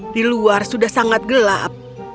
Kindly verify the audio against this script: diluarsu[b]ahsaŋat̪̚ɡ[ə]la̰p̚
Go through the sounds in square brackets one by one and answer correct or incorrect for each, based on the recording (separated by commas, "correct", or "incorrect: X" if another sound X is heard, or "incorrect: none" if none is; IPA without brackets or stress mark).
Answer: incorrect: d, correct